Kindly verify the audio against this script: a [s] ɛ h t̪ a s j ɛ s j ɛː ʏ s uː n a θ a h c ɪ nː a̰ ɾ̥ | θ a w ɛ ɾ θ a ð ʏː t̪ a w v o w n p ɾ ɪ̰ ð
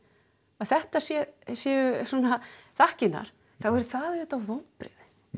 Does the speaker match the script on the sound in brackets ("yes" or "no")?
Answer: no